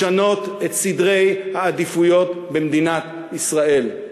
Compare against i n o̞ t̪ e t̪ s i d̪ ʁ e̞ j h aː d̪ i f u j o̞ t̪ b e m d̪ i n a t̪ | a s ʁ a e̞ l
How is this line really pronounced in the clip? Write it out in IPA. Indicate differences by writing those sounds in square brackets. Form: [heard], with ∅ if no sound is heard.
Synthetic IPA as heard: [a] n o̞ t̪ e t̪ s i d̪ ʁ e̞ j h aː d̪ i f u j o̞ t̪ b e m d̪ i n a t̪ | [i] s ʁ a e̞ l